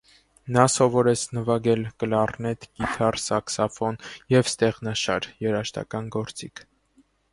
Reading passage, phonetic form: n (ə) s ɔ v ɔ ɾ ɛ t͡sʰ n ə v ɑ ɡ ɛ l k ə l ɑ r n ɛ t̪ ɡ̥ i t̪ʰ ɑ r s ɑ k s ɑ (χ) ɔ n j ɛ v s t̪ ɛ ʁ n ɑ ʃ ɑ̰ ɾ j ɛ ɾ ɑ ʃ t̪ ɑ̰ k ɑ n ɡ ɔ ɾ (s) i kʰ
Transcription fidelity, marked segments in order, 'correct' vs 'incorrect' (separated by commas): incorrect, incorrect, incorrect